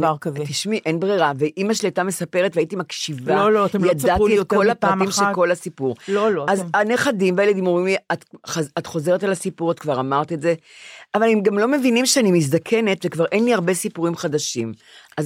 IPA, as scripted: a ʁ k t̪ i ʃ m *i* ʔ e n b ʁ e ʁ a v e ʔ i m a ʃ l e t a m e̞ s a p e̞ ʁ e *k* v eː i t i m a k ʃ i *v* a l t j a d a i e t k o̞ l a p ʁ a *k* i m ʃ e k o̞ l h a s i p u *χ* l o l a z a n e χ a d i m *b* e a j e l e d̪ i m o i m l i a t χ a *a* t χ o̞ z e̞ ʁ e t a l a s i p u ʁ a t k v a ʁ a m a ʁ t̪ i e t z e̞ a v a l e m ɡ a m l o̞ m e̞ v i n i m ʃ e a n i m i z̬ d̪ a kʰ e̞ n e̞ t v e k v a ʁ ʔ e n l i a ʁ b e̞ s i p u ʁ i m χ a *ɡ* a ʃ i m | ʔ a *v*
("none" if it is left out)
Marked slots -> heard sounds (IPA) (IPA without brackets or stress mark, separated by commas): i, t, v, t, ʁ, v, a, d, z